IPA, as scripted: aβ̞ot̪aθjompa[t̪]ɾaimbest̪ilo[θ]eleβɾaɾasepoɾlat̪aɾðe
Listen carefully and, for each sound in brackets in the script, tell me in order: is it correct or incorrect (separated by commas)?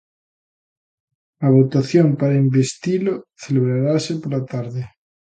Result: incorrect, correct